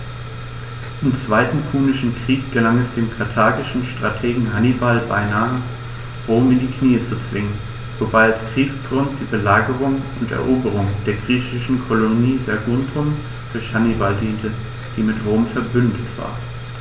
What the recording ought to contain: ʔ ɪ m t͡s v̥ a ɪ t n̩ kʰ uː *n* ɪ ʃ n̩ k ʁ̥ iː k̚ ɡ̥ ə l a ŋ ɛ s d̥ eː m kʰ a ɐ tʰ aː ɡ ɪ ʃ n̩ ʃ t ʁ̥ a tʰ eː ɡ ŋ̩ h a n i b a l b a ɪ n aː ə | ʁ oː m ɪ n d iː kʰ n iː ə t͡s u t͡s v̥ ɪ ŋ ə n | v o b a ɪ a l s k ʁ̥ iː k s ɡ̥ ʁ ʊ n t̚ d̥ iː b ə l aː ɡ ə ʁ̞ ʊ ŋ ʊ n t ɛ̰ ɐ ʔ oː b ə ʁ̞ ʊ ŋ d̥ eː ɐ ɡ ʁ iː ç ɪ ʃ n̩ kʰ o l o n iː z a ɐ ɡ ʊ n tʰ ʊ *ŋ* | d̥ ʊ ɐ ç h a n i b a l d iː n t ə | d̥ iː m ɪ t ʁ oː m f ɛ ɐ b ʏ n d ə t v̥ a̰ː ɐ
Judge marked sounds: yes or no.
yes, no

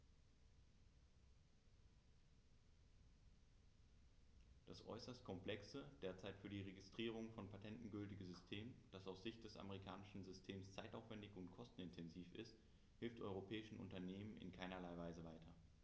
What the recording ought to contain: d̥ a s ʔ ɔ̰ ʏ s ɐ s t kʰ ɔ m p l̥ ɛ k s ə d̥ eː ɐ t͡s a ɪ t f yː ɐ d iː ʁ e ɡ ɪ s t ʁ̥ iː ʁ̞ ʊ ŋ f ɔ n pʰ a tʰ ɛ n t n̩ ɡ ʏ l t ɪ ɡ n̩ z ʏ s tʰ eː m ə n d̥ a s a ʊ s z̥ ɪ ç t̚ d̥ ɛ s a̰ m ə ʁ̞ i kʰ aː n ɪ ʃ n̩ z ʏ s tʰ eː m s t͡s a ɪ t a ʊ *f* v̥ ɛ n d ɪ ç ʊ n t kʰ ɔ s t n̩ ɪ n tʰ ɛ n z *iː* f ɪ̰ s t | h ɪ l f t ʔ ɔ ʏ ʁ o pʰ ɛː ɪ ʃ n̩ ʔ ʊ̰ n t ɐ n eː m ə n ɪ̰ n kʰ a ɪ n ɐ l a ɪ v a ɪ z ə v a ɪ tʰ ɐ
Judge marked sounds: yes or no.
yes, yes

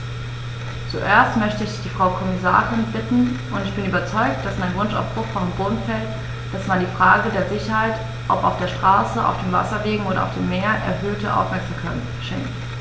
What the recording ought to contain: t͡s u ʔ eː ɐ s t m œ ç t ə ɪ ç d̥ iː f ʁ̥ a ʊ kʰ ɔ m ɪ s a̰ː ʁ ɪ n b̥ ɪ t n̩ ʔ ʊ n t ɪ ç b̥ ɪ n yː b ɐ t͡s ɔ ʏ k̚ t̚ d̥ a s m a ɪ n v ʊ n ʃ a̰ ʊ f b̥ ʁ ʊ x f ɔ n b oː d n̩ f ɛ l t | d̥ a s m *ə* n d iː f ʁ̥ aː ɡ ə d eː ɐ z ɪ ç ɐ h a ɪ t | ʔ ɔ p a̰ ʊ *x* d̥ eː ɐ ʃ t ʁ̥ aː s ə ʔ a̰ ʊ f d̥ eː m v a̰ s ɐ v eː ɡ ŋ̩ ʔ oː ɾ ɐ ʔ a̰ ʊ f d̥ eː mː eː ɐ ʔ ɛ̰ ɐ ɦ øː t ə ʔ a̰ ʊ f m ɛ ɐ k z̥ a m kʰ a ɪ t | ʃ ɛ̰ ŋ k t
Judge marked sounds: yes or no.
no, no

